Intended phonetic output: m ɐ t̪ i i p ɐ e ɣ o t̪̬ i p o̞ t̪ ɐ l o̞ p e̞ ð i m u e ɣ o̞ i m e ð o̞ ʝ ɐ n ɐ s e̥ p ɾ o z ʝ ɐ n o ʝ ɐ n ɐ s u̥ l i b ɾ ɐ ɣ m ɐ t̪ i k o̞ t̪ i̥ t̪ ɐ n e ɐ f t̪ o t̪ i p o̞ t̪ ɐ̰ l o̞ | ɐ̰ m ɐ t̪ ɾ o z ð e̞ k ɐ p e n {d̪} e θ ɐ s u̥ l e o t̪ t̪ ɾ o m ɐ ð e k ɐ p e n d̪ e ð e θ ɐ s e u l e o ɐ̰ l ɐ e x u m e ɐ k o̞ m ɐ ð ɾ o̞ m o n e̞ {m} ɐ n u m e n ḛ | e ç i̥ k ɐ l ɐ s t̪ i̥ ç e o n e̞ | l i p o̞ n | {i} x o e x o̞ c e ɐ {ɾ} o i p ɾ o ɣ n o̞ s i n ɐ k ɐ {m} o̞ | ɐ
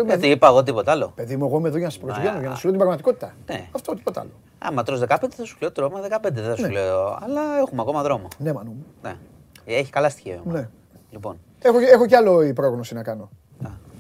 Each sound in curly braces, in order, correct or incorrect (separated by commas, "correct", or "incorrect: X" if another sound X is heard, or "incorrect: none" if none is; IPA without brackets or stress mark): correct, correct, incorrect: e, incorrect: l, incorrect: n